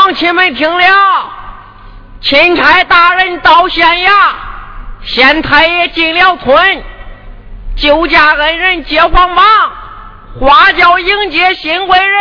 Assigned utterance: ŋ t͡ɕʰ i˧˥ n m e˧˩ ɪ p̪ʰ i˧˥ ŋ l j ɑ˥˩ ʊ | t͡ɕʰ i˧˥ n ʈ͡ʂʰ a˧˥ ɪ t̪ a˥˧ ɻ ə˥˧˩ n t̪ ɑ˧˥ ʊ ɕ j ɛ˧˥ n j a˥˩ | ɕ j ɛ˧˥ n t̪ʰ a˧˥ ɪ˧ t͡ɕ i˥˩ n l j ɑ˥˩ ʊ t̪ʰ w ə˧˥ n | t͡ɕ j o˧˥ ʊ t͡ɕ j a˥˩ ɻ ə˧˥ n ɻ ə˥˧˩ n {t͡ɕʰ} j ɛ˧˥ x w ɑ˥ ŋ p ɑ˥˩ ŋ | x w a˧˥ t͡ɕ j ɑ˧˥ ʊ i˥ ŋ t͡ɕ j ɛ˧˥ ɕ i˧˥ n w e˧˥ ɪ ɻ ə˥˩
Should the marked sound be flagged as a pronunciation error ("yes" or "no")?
yes